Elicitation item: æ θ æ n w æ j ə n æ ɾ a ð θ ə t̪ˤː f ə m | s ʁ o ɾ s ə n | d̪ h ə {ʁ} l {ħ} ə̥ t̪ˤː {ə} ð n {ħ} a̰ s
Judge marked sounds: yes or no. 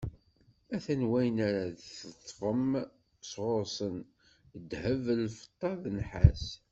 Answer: no, no, no, yes

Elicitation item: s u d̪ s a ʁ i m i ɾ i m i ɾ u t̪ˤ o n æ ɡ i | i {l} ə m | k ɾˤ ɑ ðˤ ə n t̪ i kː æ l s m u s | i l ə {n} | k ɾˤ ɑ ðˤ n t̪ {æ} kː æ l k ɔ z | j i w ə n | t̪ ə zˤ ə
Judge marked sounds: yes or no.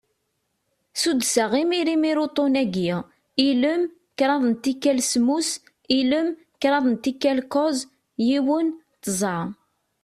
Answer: yes, no, no

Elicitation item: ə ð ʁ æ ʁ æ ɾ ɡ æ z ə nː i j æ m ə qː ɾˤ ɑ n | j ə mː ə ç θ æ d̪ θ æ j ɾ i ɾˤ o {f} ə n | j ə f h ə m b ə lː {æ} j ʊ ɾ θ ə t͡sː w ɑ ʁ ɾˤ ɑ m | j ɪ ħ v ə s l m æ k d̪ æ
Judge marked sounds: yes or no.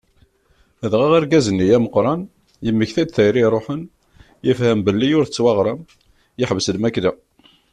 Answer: no, no

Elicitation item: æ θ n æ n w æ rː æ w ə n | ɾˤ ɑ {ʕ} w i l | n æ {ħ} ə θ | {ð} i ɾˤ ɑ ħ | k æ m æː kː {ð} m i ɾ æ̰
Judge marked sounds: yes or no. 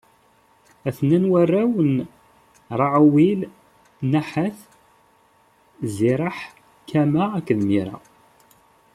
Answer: yes, yes, no, yes

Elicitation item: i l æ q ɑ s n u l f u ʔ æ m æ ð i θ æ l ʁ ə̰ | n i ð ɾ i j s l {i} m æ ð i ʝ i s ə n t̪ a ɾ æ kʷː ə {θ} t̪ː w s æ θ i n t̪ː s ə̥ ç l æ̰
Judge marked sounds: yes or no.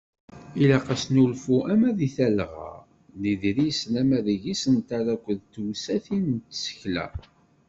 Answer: no, no

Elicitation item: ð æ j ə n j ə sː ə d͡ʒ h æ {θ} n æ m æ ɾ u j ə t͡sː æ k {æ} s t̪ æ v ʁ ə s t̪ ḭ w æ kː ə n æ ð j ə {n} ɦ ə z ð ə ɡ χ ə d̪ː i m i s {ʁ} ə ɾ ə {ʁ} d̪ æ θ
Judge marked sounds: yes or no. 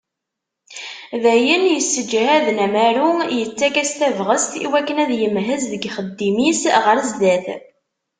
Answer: no, yes, no, yes, no

